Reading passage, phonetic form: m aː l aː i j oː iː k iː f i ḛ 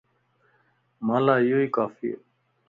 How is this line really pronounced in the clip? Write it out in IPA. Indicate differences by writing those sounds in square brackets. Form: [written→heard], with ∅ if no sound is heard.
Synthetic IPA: m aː l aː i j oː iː k [iː→aː] f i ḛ